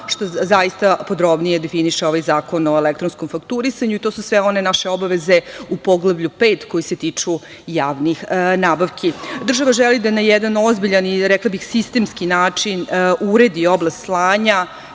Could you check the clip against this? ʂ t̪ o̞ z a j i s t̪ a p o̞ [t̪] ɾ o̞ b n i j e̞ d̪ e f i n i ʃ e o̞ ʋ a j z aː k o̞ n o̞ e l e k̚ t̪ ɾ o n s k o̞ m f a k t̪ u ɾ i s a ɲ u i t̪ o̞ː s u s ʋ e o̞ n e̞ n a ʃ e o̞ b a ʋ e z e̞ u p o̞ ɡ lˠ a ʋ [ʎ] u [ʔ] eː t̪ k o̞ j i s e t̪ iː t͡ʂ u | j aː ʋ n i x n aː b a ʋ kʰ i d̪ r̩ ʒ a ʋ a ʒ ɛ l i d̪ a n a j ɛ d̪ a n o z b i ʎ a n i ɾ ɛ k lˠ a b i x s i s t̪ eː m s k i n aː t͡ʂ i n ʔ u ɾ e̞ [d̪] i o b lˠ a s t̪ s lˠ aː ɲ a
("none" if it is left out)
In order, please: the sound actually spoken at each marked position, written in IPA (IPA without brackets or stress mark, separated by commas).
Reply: d̪, ʎ, p, d̪